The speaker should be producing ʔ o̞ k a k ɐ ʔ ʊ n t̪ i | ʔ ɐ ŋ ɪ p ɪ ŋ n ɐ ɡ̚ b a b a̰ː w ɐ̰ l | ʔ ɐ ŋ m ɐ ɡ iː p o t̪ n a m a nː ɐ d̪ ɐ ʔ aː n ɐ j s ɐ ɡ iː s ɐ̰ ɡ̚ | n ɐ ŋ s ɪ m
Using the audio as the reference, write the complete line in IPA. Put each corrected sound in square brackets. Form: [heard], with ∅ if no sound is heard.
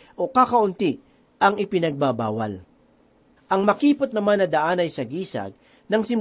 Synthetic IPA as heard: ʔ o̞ k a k ɐ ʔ ʊ n t̪ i | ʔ ɐ ŋ ɪ p ɪ [∅] n ɐ ɡ̚ b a b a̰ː w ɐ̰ l | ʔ ɐ ŋ m ɐ [k] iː p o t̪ n [ɐ] m a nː ɐ d̪ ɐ ʔ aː n ɐ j s ɐ ɡ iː s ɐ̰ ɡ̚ | n ɐ ŋ s ɪ m